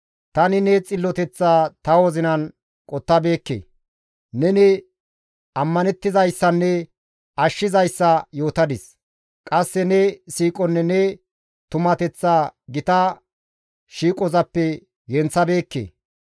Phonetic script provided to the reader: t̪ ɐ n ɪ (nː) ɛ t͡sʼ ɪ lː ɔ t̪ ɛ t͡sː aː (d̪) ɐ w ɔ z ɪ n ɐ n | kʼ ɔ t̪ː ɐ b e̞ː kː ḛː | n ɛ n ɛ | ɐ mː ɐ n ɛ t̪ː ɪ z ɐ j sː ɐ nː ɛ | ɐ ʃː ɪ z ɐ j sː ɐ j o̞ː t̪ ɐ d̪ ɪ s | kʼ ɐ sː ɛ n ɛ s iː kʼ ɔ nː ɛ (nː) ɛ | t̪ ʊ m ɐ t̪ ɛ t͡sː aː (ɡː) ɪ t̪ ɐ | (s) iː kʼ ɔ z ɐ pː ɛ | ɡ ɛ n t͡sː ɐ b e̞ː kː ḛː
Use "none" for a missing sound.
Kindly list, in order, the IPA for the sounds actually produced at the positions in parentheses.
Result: n, t̪, n, ɡ, ʃ

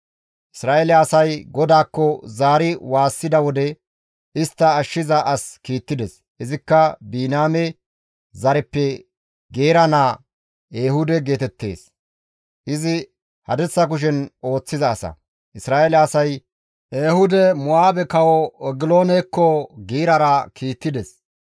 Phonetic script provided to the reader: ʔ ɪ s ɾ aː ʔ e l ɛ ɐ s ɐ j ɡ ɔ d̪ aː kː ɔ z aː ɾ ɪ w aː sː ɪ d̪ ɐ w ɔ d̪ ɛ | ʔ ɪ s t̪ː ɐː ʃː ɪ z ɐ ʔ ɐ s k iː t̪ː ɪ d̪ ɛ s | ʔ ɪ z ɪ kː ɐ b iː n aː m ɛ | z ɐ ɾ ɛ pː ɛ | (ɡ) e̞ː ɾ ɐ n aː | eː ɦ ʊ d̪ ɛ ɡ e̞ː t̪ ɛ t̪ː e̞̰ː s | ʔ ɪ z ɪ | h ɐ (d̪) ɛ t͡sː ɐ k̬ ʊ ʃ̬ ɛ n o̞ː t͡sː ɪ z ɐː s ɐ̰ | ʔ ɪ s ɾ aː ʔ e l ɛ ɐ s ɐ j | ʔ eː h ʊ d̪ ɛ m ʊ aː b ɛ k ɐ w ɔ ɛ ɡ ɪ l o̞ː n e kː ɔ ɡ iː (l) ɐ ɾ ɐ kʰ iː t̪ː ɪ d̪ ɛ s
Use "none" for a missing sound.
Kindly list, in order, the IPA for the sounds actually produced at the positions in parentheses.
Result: ɡ, d̪, ɾ

